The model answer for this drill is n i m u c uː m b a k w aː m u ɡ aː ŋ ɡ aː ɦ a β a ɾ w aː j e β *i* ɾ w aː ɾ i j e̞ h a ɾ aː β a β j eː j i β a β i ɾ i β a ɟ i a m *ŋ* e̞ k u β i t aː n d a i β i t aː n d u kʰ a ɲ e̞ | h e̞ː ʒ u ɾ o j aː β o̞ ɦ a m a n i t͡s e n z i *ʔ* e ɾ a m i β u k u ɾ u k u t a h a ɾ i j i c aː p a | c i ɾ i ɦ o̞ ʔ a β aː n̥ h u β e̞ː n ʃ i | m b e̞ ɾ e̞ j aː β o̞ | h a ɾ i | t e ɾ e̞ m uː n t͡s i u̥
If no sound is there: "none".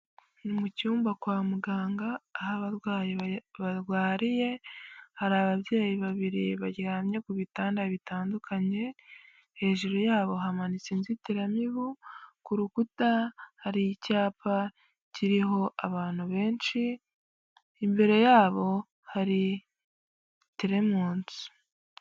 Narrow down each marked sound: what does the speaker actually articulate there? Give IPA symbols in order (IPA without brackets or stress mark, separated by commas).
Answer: a, ɲ, t